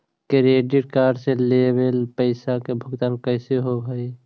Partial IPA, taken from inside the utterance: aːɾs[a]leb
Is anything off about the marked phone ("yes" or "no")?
yes